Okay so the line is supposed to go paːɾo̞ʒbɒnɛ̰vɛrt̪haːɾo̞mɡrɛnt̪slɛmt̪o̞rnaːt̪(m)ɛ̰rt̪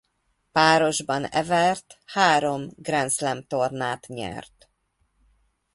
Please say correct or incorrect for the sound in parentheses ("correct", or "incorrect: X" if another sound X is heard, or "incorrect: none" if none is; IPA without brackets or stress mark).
incorrect: ɲ